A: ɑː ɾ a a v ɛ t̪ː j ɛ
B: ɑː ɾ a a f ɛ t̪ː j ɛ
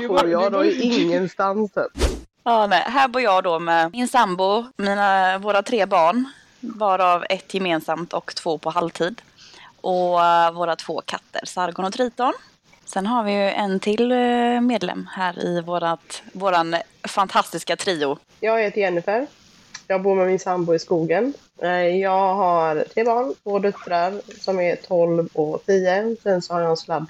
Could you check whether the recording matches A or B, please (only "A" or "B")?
A